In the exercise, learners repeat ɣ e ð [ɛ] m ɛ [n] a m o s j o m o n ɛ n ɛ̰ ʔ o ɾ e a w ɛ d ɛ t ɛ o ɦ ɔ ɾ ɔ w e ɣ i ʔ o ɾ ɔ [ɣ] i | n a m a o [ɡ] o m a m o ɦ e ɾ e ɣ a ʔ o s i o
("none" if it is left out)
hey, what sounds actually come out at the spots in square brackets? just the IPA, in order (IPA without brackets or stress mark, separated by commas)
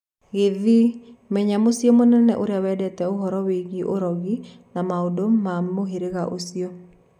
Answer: i, ɲ, ɣ, d